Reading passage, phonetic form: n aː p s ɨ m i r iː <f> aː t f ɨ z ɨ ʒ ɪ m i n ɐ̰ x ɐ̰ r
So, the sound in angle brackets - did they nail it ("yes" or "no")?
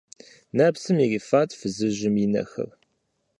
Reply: yes